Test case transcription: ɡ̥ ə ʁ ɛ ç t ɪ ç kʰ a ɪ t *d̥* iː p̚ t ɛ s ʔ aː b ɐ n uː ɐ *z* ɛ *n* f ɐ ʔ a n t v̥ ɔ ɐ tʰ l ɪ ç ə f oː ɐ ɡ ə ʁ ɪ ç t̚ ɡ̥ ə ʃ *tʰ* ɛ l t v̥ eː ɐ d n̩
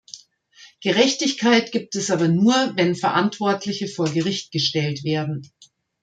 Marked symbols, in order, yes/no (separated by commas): no, no, yes, no